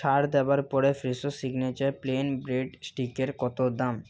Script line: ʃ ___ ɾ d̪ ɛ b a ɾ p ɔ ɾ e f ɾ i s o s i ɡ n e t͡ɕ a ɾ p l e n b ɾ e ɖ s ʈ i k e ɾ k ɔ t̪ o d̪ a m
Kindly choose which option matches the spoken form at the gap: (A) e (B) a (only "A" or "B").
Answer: B